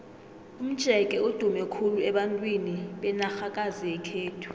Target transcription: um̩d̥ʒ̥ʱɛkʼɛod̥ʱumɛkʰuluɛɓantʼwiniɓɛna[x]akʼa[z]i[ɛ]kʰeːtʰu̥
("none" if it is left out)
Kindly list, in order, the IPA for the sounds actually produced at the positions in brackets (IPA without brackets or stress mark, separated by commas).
x, z, ɛ